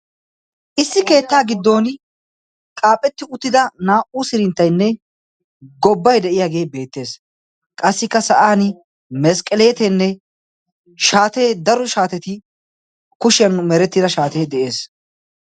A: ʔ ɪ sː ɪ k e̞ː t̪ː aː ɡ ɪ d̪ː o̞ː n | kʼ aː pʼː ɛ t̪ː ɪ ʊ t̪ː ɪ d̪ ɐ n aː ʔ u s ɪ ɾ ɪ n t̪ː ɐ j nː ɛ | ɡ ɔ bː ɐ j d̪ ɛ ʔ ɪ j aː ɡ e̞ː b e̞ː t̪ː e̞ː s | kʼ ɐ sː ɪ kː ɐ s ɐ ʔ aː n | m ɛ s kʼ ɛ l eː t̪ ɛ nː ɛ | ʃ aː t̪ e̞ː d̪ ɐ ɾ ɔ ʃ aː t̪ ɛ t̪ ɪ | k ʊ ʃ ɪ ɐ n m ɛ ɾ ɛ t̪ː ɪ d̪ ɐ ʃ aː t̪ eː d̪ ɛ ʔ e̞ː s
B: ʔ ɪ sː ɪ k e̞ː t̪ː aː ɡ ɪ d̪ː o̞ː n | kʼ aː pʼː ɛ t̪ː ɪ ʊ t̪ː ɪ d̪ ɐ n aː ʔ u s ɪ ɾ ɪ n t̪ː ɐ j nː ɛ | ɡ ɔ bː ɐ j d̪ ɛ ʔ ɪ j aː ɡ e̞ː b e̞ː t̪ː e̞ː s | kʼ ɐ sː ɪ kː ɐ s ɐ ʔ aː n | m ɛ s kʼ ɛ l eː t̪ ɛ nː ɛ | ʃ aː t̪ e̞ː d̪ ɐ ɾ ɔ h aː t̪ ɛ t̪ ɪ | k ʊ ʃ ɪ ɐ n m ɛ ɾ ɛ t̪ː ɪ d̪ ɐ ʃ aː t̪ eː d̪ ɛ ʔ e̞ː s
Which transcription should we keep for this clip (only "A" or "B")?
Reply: A